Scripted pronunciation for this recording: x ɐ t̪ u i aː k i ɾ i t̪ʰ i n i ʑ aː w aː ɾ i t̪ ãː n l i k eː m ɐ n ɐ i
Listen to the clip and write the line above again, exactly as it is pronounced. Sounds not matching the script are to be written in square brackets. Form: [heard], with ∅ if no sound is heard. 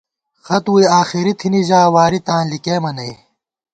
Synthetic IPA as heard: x ɐ t̪ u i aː [x] i ɾ i t̪ʰ i n i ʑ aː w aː ɾ i t̪ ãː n l i k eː m ɐ n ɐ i